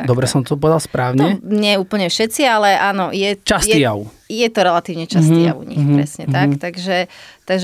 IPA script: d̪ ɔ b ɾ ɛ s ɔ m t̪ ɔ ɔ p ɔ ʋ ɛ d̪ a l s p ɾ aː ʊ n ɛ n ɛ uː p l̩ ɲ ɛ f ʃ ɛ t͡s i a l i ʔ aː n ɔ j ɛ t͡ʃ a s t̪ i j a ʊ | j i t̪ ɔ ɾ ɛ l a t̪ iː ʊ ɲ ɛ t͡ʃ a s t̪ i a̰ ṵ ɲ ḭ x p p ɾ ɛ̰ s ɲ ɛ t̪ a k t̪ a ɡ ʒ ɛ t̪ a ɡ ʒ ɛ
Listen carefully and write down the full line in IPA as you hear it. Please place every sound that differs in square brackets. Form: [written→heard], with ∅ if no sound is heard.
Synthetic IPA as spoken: d̪ ɔ b ɾ ɛ s ɔ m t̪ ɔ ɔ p ɔ ʋ ɛ d̪ a l s p ɾ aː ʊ [n→ɲ] ɛ [n→ɲ] ɛ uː p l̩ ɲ ɛ f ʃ ɛ t͡s i a l [i→ɛ] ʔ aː n ɔ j ɛ t͡ʃ a s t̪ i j a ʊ | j [i→ɛ] t̪ ɔ ɾ ɛ l a t̪ iː ʊ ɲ ɛ t͡ʃ a s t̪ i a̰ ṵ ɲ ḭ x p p ɾ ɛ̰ s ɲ ɛ t̪ a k t̪ a ɡ ʒ ɛ t̪ a ɡ ʒ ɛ